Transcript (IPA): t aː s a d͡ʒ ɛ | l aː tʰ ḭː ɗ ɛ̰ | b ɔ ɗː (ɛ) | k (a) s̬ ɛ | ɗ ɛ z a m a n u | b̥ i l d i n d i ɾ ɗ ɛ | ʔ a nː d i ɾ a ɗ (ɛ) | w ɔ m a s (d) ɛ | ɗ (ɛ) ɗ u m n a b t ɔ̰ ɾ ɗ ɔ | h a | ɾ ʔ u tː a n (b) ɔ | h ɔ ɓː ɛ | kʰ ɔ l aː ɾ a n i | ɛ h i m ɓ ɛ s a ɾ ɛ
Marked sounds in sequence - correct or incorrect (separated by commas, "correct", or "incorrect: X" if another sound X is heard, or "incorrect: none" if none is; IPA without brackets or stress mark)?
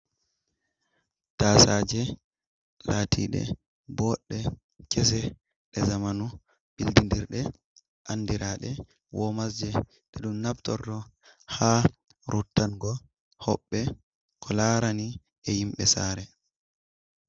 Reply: correct, incorrect: ɛ, correct, incorrect: d͡ʒ, correct, incorrect: ɡ